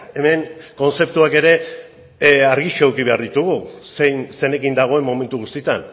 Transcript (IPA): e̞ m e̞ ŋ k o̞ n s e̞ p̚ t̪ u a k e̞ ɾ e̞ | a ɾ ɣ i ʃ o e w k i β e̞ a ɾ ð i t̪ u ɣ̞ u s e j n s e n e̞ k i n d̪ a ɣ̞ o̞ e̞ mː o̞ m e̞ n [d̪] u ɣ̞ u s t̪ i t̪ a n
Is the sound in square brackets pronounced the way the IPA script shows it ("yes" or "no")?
no